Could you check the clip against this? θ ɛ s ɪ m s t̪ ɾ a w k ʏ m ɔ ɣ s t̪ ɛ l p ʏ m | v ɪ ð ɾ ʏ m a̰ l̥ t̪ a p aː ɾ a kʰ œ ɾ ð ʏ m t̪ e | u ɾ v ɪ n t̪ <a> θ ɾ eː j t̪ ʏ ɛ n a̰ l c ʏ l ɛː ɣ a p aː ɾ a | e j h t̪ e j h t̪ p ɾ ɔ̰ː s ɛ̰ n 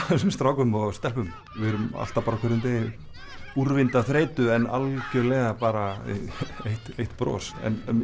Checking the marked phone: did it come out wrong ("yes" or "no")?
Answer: no